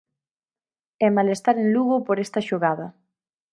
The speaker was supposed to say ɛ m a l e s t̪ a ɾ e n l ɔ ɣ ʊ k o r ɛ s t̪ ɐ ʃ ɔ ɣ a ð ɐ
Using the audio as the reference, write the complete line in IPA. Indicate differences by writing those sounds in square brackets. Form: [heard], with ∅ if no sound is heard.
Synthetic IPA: ɛ m a l e s t̪ a ɾ e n l [u] ɣ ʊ [p] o [ɾ] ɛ s t̪ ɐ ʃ [o] ɣ a ð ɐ